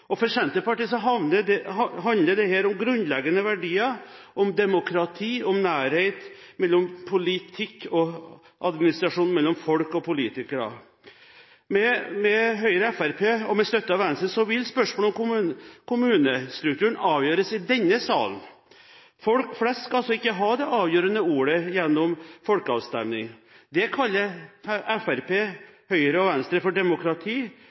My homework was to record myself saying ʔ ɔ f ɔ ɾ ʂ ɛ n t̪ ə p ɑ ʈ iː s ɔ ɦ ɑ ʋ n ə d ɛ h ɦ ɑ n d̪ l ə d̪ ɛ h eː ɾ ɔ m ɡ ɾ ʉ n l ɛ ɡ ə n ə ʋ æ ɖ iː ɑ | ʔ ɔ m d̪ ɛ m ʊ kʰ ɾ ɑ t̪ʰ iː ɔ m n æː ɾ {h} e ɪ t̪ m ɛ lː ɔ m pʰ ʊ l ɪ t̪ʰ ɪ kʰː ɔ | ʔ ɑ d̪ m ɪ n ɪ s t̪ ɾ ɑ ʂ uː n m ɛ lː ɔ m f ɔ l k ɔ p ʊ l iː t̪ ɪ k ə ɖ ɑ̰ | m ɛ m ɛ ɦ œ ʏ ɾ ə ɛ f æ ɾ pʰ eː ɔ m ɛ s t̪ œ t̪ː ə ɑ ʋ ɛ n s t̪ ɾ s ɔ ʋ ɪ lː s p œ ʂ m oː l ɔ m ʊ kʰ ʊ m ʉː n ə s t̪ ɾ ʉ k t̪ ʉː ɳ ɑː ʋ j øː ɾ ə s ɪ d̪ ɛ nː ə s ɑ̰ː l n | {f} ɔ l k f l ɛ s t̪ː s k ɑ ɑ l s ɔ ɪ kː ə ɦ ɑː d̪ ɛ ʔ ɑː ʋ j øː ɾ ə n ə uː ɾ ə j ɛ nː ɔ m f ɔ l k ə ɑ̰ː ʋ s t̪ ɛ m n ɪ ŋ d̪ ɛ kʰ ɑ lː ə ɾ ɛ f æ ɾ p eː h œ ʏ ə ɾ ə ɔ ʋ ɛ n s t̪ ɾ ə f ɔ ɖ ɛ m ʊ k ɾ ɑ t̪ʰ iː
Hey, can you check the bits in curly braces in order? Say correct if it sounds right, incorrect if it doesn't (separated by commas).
correct, correct